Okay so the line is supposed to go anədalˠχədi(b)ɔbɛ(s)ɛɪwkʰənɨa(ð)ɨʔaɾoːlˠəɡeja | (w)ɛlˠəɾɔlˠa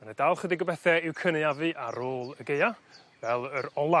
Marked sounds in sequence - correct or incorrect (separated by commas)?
incorrect, incorrect, incorrect, incorrect